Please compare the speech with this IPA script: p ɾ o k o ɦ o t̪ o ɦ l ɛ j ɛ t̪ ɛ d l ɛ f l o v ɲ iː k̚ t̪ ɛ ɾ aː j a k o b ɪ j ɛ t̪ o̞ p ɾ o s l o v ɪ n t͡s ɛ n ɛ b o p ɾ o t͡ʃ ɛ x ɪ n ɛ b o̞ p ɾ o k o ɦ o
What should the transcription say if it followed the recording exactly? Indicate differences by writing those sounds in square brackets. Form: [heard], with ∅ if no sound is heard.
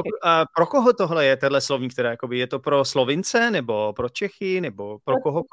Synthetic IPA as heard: p ɾ o k o ɦ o t̪ o ɦ l ɛ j ɛ t̪ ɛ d l ɛ [s] l o v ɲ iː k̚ t̪ ɛ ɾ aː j a k o b ɪ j ɛ t̪ o̞ p ɾ o s l o v ɪ n t͡s ɛ n ɛ b o p ɾ o t͡ʃ ɛ x ɪ n ɛ b o̞ p ɾ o k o ɦ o